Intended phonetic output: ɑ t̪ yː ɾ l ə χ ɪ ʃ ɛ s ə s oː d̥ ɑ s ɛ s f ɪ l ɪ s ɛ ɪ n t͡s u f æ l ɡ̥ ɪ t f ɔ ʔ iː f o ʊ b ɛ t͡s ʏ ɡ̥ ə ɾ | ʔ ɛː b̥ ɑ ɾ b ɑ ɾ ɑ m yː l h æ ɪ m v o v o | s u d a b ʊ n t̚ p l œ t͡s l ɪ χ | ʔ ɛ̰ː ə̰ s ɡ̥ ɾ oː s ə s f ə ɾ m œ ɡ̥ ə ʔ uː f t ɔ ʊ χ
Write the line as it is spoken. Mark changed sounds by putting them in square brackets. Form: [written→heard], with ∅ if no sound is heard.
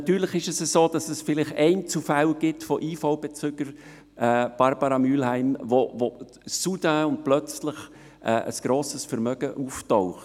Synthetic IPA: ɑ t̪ yː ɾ l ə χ ɪ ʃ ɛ s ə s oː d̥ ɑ s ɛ s f ɪ l ɪ [s→χ] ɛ ɪ n t͡s u f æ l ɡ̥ ɪ t f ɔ ʔ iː f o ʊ b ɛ t͡s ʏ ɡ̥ ə ɾ | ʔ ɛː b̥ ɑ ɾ b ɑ ɾ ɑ m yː l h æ ɪ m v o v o | s u d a [b→∅] ʊ n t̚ p l œ t͡s l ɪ χ | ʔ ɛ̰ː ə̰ s ɡ̥ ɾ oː s ə s f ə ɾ m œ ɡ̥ ə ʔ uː f t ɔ ʊ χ